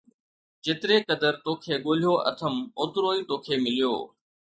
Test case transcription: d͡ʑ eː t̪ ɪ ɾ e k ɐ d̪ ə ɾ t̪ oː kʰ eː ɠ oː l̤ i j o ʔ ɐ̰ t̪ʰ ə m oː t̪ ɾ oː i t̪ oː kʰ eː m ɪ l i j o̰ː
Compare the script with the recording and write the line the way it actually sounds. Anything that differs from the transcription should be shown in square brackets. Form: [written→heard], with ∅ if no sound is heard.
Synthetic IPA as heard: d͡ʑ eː t̪ ɪ ɾ e k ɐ d̪ ə ɾ t̪ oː kʰ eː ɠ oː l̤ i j o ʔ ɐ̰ t̪ʰ ə m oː t̪ ɾ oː i t̪ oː kʰ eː m ɪ l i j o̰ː